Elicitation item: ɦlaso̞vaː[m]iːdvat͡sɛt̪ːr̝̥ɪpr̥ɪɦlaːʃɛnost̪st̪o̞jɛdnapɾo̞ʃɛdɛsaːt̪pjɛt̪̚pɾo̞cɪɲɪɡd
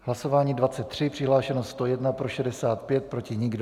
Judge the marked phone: incorrect: ɲ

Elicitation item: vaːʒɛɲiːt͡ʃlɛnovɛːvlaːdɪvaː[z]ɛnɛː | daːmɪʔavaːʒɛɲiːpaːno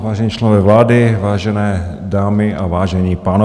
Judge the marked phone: incorrect: ʒ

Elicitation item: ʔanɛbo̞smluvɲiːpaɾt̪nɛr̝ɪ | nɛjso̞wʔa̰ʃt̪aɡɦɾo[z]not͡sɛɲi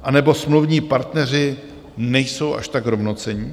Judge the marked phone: incorrect: v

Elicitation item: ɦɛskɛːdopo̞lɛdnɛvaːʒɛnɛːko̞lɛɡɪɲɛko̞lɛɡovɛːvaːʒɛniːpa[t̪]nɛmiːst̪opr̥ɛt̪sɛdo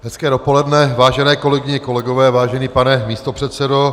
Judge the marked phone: incorrect: none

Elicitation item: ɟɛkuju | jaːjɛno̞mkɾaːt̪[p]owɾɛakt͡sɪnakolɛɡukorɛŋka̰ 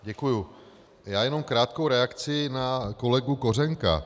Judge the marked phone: incorrect: k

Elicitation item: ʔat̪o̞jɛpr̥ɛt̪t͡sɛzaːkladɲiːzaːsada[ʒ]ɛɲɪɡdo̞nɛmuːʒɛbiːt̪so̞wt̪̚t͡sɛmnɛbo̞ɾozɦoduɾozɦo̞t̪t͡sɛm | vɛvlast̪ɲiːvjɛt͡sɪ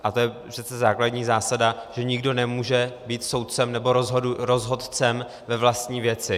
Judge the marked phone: correct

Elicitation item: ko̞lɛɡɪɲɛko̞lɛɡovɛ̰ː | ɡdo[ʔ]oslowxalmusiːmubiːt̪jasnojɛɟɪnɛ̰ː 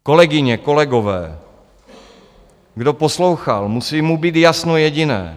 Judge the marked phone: incorrect: p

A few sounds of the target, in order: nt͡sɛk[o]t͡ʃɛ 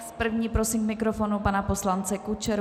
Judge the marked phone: incorrect: u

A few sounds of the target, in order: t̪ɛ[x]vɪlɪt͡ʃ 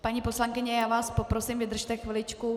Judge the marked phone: correct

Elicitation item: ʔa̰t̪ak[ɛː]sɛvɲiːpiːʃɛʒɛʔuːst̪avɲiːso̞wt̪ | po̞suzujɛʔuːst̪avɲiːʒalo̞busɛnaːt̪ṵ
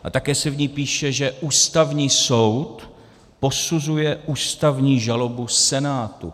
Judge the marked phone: correct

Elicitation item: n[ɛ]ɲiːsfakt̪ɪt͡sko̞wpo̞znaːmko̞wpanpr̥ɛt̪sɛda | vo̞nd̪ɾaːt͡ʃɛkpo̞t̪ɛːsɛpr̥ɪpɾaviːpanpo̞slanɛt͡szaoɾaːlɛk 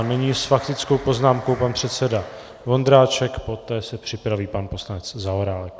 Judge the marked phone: correct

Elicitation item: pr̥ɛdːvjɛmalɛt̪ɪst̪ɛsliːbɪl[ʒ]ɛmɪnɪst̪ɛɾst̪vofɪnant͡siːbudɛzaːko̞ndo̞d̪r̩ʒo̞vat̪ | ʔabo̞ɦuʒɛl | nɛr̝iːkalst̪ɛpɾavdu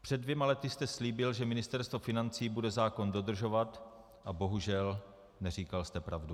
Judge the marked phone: correct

